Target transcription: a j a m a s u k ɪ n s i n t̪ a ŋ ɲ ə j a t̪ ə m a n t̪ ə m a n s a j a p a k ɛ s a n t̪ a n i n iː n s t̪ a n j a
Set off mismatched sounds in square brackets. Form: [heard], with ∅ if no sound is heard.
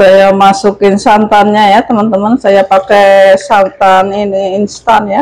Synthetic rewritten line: a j a m a s u k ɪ n s [a] n t̪ a [n] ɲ [a] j a t̪ ə m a n t̪ ə m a n s a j a p a k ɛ s a n t̪ a n i n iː n s t̪ a n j a